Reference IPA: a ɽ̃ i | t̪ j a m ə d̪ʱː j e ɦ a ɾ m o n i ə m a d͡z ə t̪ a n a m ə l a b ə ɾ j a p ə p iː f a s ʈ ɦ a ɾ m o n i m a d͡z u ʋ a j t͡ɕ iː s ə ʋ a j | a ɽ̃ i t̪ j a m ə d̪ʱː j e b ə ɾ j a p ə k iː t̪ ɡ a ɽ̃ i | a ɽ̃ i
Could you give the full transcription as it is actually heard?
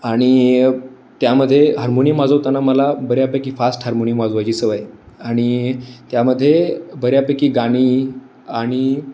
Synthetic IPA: a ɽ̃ i | t̪ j a m ə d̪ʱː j e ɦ a ɾ m o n i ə m a d͡z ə t̪ a n a m ə l a b ə ɾ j a p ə k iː f a s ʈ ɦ a ɾ m o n i m a d͡z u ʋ a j t͡ɕ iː s ə ʋ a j | a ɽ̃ i t̪ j a m ə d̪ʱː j e b ə ɾ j a p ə k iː ɡ a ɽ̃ i | a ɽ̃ i

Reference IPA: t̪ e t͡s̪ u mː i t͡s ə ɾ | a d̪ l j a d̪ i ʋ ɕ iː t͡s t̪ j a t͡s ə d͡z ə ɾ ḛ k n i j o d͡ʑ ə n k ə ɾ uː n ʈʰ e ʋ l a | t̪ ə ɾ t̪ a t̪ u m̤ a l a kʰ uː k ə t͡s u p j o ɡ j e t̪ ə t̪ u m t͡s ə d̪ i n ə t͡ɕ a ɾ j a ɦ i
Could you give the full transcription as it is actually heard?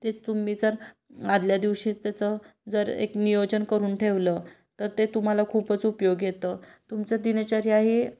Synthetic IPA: t̪ e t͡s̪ u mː i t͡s ə ɾ | a d̪ l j a d̪ i ʋ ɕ iː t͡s t̪ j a t͡s ə d͡z ə ɾ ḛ k n i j o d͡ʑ ə n k ə ɾ uː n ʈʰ e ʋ l ə | t̪ ə ɾ t̪ e t̪ u m̤ a l a kʰ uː p ə t͡s u p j o ɡ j e t̪ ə t̪ u m t͡s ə d̪ i n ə t͡ɕ a ɾ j a ɦ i

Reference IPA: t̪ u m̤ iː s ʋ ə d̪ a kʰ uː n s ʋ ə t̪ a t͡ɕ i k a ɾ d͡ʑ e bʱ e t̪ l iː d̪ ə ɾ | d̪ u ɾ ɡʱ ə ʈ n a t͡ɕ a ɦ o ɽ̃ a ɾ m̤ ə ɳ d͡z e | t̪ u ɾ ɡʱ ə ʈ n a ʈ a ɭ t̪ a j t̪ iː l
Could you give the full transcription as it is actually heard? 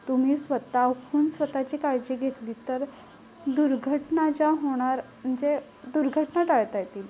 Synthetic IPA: t̪ u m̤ iː s ʋ ə t̪ a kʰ uː n s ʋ ə t̪ a t͡ɕ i k a ɾ d͡ʑ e ɡʱ e t̪ l iː t̪ ə ɾ | d̪ u ɾ ɡʱ ə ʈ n a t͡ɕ a ɦ o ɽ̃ a ɾ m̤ ə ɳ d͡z e | d̪ u ɾ ɡʱ ə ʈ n a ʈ a ɭ t̪ a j t̪ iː l

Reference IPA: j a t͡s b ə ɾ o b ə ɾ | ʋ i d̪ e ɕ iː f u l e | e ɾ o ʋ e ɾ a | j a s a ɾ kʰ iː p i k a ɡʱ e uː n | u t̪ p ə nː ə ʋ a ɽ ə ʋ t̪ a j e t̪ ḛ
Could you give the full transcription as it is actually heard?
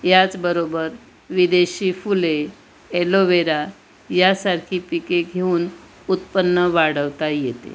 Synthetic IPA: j a t͡s b ə ɾ o b ə ɾ | ʋ i d̪ e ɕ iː f u l e | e l o ʋ e ɾ a | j a s a ɾ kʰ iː p i k e ɡʱ e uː n | u t̪ p ə nː ə ʋ a ɽ ə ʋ t̪ a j e t̪ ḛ

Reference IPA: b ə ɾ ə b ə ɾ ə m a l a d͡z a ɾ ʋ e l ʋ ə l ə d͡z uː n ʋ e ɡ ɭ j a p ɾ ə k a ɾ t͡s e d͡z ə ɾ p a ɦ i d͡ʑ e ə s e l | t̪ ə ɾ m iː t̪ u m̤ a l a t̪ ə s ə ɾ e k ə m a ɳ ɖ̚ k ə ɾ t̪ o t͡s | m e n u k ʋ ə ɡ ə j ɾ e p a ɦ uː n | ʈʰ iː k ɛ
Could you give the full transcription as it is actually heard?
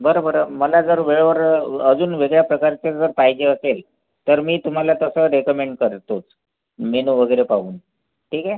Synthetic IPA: b ə ɾ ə b ə ɾ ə m ə l a d͡z ə ɾ ʋ e ɭ ʋ ə ɾ ə d͡z uː n ʋ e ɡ ɭ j a p ɾ ə k a ɾ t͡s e d͡z ə ɾ p a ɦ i d͡ʑ e ə s e l | t̪ ə ɾ m iː t̪ u m̤ a l a t̪ ə s ə ɾ e k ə m e ɳ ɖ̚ k ə ɾ t̪ o t͡s | m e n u ʋ ə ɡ ə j ɾ e p a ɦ uː n | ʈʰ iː k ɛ

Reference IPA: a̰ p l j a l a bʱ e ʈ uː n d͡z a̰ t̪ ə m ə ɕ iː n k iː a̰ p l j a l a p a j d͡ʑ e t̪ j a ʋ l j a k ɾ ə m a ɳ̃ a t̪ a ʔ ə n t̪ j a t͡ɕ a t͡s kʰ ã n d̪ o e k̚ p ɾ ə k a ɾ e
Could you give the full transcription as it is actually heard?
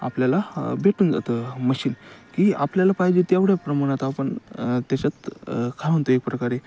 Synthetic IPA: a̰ p l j a l a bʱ e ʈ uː n d͡z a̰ t̪ ə m ə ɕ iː n k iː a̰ p l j a l a p a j d͡ʑ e t̪ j a ʋ ɽ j a p ɾ ə m a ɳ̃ a t̪ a p ə ɳ t̪ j a t͡ɕ a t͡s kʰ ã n t̪ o e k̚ p ɾ ə k a ɾ e

